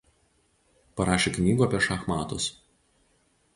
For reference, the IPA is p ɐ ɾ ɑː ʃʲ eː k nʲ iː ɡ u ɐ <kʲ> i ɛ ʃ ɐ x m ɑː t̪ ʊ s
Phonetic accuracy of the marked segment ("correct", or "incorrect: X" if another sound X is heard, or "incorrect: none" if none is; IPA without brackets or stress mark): incorrect: pʲ